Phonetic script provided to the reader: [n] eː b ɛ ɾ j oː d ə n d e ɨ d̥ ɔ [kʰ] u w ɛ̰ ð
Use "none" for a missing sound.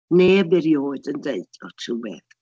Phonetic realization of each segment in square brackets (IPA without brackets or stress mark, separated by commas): n, tʰ